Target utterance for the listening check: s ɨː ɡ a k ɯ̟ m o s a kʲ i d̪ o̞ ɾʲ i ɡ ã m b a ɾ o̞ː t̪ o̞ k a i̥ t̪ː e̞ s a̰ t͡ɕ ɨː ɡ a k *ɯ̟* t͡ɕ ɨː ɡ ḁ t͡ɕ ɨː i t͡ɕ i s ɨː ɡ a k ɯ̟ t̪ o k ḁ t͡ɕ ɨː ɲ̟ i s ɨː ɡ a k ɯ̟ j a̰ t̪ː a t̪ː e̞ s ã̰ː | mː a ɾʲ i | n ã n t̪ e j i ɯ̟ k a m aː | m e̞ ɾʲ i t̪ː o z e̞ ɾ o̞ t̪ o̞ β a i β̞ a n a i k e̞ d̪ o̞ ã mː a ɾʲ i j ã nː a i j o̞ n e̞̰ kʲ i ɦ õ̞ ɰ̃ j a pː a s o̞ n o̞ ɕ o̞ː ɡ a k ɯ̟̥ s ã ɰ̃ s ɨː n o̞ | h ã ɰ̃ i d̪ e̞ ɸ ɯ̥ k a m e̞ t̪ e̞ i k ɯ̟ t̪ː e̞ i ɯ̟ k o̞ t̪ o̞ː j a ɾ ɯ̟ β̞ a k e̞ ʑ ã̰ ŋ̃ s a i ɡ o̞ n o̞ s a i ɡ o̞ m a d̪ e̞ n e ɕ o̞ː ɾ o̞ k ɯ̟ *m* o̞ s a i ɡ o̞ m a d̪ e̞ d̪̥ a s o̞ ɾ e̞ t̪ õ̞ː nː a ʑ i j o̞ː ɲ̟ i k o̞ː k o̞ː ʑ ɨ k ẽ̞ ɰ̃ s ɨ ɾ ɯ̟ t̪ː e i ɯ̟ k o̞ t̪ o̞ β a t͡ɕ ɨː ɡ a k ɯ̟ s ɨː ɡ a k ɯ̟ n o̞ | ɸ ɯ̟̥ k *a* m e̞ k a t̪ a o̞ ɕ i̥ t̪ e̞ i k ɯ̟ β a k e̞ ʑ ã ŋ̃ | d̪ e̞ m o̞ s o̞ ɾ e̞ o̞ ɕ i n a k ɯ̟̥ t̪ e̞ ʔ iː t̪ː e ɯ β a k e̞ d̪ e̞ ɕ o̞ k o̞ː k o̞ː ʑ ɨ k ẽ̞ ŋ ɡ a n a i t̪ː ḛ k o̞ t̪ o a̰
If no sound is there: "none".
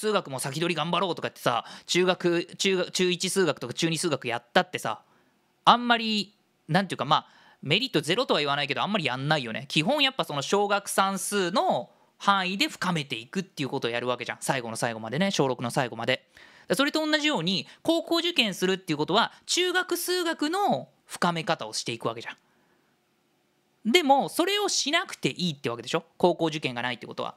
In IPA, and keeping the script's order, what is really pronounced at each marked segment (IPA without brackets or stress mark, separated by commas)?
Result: ɯ̟, n, a